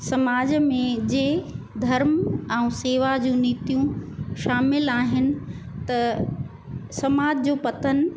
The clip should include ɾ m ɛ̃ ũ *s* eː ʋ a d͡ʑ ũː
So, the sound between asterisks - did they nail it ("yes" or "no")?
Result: yes